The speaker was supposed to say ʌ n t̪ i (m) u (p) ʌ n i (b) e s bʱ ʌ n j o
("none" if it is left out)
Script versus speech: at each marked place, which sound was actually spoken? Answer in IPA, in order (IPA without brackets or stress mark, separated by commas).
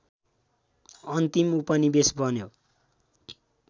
m, p, b